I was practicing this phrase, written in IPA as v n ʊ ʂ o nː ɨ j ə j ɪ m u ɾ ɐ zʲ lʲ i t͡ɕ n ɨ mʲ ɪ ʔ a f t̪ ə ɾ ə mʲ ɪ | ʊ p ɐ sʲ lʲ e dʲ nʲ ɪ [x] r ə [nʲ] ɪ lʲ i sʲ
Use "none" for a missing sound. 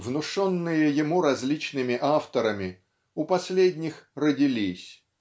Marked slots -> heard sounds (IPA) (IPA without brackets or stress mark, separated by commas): x, dʲ